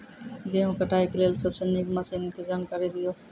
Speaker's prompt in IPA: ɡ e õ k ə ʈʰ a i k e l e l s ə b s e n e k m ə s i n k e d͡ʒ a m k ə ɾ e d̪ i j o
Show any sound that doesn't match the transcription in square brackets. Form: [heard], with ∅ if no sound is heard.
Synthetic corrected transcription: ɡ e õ k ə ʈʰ a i k e l e l s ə b s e n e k m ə s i n k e d͡ʒ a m k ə ɾ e d̪ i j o